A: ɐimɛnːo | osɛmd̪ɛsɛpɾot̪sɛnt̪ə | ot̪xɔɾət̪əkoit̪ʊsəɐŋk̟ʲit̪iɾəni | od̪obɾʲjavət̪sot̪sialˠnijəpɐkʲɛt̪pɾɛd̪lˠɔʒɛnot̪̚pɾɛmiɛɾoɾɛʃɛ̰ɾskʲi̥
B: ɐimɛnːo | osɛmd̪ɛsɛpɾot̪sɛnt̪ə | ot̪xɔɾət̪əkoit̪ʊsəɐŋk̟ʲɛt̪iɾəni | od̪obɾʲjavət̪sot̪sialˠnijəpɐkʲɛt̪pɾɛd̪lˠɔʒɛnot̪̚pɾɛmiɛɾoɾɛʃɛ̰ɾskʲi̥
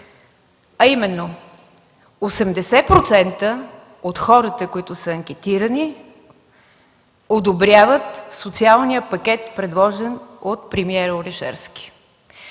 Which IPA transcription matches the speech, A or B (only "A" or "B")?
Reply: B